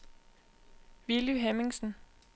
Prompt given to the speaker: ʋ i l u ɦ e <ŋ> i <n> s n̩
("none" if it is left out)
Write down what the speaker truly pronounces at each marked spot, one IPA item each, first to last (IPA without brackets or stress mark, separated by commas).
m, ŋ